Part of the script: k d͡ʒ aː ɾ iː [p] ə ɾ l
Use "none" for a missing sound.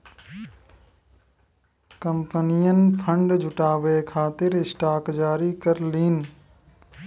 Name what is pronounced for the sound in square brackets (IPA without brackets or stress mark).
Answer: k